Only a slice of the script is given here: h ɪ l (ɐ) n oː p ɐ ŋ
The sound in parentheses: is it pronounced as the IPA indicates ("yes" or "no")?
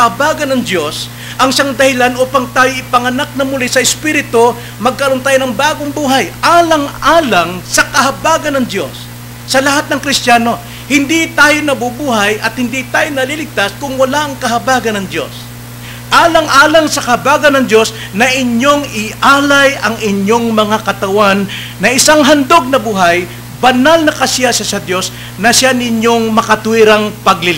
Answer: no